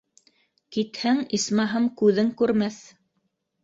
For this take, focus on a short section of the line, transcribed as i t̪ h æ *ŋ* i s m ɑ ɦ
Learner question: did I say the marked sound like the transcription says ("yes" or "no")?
yes